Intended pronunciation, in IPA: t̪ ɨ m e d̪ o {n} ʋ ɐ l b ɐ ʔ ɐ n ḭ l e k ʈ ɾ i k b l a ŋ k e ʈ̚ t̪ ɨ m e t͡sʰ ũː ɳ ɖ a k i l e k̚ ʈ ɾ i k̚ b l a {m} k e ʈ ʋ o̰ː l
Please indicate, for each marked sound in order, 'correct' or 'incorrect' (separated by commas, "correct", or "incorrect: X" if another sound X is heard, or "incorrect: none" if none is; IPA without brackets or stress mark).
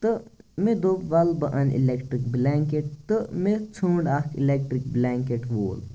incorrect: none, incorrect: ŋ